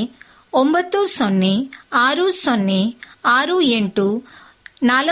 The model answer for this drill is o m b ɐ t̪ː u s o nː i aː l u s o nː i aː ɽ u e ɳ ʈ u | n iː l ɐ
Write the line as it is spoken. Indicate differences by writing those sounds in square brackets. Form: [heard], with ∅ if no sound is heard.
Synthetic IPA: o m b ɐ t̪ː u s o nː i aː [ɾ] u s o nː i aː [ɾ] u e ɳ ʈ u | n [aː] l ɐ